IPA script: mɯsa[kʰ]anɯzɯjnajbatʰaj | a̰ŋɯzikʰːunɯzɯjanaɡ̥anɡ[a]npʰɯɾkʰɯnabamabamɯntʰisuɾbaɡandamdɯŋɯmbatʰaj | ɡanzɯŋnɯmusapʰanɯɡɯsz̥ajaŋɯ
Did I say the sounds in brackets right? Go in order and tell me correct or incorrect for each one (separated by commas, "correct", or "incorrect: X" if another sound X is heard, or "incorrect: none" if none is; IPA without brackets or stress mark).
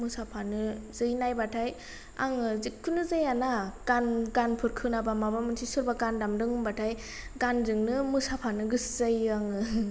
incorrect: pʰ, correct